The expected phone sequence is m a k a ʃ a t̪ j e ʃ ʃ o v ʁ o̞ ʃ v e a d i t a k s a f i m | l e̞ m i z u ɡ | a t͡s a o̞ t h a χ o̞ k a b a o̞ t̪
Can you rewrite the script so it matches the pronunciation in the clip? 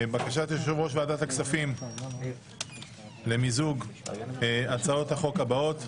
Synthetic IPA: b a k a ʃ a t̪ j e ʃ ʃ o v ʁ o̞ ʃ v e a d a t a k s a f i m | l e̞ m i z u ɡ | a t͡s a o̞ t h a χ o̞ k a b a o̞ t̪